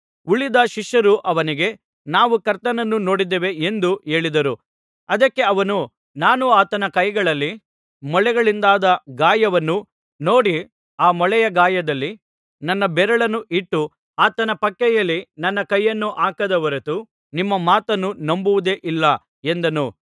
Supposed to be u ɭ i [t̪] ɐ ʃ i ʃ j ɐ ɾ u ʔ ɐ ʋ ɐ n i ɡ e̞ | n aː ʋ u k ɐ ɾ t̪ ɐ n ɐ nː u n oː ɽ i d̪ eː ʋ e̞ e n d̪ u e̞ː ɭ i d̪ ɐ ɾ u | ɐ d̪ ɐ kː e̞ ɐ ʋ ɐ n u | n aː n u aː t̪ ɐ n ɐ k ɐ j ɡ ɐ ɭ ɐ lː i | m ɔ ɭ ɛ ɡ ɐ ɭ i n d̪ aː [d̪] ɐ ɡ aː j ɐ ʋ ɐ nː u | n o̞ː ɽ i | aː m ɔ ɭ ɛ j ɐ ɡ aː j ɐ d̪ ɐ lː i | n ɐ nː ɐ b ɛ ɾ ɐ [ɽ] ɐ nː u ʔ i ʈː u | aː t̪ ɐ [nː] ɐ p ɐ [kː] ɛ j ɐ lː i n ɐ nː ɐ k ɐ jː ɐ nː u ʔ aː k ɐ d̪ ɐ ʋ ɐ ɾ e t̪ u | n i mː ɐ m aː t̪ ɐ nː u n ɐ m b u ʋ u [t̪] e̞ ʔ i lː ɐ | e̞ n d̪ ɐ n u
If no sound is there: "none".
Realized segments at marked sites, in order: d̪, d̪, ɭ, n, kː, d̪

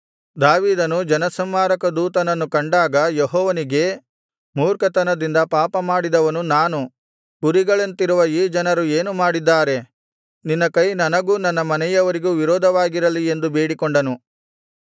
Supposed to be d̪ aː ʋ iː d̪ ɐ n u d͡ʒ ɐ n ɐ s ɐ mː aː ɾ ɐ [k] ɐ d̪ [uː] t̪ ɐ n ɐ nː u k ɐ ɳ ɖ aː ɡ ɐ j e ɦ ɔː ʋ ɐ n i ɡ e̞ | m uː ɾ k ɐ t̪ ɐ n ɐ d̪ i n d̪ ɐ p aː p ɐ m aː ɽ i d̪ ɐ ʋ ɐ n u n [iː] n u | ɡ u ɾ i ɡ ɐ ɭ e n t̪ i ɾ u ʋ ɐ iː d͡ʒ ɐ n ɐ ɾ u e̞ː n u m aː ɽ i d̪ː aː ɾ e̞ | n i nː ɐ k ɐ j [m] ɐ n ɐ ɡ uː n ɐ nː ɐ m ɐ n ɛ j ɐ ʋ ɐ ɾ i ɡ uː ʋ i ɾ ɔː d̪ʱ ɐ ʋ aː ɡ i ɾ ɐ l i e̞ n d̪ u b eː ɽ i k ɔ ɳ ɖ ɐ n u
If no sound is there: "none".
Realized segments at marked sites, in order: k, uː, aː, n

